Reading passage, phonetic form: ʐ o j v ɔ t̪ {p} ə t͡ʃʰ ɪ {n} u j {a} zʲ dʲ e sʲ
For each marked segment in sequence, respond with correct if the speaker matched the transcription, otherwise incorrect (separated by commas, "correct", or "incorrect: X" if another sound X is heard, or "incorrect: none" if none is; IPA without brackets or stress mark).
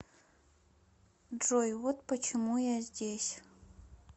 correct, incorrect: m, correct